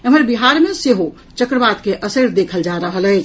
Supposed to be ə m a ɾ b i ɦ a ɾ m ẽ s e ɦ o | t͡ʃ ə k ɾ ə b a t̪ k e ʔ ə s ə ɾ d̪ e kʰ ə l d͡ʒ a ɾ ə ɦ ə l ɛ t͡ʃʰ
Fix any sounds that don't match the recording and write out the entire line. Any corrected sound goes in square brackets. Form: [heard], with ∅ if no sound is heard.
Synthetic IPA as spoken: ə m [ə] ɾ b i ɦ a ɾ m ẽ s e ɦ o | t͡ʃ ə k ɾ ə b a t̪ k e ʔ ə s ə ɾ d̪ e kʰ ə l d͡ʒ a ɾ ə ɦ ə l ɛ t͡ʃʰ